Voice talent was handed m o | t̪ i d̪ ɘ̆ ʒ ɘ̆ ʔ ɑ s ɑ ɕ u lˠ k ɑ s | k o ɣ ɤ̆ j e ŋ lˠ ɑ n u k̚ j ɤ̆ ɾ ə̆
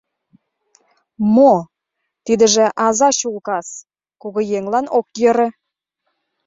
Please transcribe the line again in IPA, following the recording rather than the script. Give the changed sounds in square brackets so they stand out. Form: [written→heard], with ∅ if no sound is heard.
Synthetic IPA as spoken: m o | t̪ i d̪ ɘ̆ ʒ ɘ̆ ʔ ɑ [s→z] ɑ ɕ u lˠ k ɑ s | k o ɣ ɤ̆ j e ŋ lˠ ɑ n [u→o] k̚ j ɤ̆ ɾ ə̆

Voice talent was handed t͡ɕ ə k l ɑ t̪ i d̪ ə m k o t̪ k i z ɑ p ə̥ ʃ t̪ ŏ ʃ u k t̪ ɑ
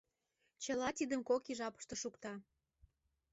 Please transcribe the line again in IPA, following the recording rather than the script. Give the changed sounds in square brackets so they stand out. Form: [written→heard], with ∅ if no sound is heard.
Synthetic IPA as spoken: t͡ɕ ə [k→∅] l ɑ t̪ i d̪ ə m k o [t̪→∅] k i [z→ʒ] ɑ p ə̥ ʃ t̪ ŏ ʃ u k t̪ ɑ

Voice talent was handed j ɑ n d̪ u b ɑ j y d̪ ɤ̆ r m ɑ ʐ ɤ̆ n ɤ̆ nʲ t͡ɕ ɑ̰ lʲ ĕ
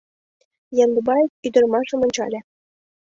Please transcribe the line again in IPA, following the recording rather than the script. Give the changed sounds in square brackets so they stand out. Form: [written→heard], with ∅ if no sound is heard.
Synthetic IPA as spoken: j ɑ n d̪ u b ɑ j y d̪ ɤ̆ r m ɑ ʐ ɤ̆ [n→m] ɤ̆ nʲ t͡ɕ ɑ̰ lʲ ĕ

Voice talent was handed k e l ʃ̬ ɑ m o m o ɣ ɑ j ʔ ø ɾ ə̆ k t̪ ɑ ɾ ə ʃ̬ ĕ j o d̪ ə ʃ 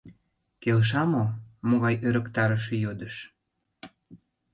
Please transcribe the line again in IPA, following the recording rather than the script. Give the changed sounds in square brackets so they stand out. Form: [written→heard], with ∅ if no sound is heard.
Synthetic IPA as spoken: k e l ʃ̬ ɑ m o m o ɣ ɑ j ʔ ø ɾ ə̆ k t̪ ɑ ɾ ə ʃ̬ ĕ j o d̪ ə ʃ

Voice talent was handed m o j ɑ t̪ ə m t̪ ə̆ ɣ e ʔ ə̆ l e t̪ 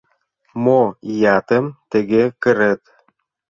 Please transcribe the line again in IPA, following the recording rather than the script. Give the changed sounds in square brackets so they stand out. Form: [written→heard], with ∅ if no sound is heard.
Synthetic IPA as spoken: m o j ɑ t̪ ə m t̪ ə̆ ɣ e [ʔ→k] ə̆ [l→ɾ] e t̪

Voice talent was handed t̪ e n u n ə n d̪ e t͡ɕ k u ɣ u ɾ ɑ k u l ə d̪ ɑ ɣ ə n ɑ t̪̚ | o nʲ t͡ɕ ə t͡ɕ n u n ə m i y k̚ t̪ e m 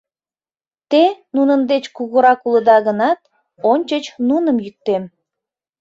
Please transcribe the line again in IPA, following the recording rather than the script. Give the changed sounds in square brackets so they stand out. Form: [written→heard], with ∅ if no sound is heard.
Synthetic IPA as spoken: t̪ e n u n ə n d̪ e t͡ɕ k u ɣ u ɾ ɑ k u l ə d̪ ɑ ɣ ə n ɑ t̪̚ | o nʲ t͡ɕ ə t͡ɕ n u n ə m [i→j] y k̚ t̪ e m

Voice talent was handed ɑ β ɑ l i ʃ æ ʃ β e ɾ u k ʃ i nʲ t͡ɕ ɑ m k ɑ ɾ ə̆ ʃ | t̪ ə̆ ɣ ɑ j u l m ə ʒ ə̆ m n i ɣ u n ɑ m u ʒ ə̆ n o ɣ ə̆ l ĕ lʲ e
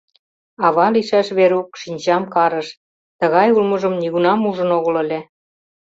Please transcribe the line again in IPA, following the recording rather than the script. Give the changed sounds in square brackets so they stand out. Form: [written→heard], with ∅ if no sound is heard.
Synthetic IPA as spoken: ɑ β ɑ l i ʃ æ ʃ β e ɾ u k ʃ i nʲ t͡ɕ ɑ m k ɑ ɾ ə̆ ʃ | t̪ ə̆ ɣ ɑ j u l m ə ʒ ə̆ m n i ɣ u n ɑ m u ʒ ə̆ n o ɣ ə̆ l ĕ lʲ e

